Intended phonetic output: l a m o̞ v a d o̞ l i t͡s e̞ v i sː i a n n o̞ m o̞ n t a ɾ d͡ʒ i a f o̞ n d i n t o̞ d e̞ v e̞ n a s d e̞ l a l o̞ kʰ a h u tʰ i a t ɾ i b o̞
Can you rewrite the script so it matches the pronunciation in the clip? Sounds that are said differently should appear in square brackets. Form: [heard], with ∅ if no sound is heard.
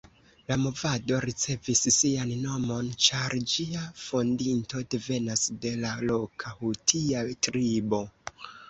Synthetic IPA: l a m o̞ v a d o̞ [ɾ] i t͡s e̞ v i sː i a n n o̞ m o̞ n [t͡ʃ] a ɾ d͡ʒ i a f o̞ n d i n t o̞ d e̞ v e̞ n a s d e̞ l a l o̞ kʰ a h u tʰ i a t ɾ i b o̞